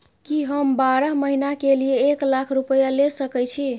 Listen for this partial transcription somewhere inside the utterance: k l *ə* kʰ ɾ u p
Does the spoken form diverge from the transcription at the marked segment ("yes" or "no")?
yes